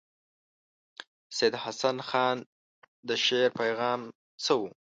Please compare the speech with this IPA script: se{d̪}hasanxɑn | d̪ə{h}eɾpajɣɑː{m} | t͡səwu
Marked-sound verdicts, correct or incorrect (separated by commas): correct, incorrect, correct